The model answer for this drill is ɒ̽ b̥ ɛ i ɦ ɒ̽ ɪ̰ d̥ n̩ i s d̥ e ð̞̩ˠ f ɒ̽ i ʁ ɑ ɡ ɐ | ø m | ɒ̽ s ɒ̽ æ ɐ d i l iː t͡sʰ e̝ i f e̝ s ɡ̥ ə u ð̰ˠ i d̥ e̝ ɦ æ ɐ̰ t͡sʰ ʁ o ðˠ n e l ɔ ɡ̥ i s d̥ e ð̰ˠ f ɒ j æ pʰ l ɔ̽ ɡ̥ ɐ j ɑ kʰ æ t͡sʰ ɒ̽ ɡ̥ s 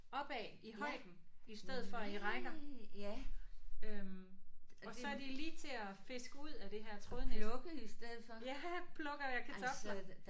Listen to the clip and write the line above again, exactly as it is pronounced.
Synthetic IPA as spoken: ɒ̽ b̥ ɛ i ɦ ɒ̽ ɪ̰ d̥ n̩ i s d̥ e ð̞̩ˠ f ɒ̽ i ʁ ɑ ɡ ɐ | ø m | ɒ̽ s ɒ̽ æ ɐ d i l iː t͡sʰ e̝ æ f e̝ s ɡ̥ ə u ð̰ˠ æ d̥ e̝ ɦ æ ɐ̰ t͡sʰ ʁ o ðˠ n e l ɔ ɡ̥ i s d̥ e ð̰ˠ f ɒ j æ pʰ l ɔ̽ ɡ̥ ɐ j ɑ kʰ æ t͡sʰ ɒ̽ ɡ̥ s